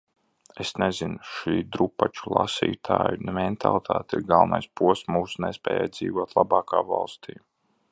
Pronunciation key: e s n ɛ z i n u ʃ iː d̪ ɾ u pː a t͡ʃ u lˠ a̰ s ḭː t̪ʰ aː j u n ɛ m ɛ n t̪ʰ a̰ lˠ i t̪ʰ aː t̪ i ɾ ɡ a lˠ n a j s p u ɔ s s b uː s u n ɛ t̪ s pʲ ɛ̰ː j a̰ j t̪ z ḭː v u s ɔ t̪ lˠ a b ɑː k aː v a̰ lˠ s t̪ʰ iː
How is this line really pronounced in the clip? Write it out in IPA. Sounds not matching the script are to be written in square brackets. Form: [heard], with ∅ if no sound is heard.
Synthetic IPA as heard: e s n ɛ z i n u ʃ iː d̪ ɾ u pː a t͡ʃ u lˠ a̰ s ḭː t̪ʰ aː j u n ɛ m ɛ n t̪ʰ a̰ lˠ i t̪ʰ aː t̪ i ɾ ɡ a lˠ n a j s p u ɔ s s [m] uː s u n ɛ [∅] s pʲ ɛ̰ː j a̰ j [d̪] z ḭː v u [∅] ɔ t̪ lˠ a b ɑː k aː v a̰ lˠ s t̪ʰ iː